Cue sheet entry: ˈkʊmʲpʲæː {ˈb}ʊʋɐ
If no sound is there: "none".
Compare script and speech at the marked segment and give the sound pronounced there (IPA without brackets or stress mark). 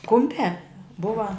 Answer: b